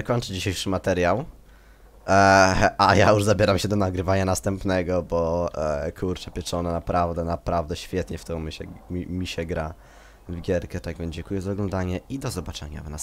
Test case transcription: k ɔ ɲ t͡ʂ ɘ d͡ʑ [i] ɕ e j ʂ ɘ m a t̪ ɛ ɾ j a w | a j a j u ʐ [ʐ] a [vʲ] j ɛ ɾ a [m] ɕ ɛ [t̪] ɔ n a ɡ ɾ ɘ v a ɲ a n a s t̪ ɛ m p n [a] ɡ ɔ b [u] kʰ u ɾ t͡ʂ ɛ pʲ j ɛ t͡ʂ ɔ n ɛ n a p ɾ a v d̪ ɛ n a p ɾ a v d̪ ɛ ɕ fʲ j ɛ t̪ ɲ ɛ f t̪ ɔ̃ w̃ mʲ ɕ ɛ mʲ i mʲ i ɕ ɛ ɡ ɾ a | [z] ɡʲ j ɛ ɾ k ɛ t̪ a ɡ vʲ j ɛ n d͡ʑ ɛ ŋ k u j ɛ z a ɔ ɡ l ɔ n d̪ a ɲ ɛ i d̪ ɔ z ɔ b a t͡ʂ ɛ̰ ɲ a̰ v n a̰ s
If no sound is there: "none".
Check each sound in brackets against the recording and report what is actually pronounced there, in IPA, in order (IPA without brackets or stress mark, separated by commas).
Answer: i, z, bʲ, m, d̪, ɛ, ɔ, v